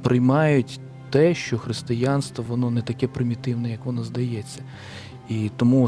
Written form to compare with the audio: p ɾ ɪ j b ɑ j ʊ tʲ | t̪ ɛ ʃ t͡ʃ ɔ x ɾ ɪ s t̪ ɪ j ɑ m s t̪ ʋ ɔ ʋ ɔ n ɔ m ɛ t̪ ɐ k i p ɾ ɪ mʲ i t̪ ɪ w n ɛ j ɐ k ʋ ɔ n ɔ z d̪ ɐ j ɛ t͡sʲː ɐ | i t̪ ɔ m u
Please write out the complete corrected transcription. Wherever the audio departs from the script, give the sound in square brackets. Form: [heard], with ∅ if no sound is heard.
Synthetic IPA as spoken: p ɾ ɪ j [m] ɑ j ʊ tʲ | t̪ ɛ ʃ t͡ʃ ɔ x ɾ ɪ s t̪ ɪ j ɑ [n] s t̪ ʋ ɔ ʋ ɔ n ɔ [n] ɛ t̪ ɐ k [ɛ] p ɾ ɪ mʲ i t̪ ɪ w n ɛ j ɐ k ʋ ɔ n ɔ z d̪ ɐ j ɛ t͡sʲː ɐ | i t̪ ɔ m u